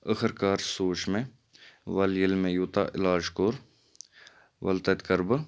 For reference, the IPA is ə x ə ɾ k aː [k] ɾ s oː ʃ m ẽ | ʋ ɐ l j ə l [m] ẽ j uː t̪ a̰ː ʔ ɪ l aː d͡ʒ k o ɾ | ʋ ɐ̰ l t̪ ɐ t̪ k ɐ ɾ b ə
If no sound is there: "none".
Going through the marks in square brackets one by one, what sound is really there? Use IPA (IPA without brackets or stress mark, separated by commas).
none, m